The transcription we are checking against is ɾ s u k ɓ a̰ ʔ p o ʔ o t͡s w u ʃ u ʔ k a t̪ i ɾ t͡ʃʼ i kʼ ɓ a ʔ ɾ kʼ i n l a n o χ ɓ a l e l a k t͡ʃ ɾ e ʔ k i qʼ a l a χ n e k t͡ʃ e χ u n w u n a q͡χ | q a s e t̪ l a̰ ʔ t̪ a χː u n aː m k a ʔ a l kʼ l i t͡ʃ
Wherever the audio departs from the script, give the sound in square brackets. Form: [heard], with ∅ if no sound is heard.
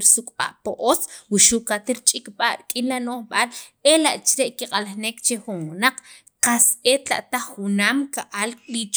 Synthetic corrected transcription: ɾ s u [kʼ] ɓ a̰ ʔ p o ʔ o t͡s w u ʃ u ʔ k a t̪ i ɾ t͡ʃʼ i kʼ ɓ a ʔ ɾ kʼ i n l a n o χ ɓ a l e l a [ʔ] t͡ʃ ɾ e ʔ k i qʼ a l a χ n e k t͡ʃ e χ u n w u n a q͡χ | q a s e t̪ l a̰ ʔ t̪ a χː u n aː m k a ʔ a l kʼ l i t͡ʃ